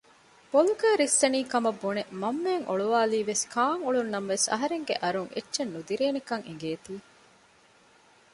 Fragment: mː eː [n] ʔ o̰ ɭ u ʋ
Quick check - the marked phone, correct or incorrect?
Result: incorrect